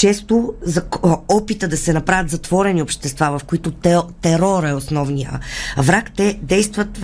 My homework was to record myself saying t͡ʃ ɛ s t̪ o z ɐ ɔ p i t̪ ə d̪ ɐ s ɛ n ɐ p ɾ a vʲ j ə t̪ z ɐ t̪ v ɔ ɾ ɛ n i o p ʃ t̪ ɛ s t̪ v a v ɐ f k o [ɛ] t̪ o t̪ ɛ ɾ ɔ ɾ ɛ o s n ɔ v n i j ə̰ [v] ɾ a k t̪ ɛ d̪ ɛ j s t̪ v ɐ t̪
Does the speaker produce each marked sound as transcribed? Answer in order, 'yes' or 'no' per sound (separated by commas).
no, yes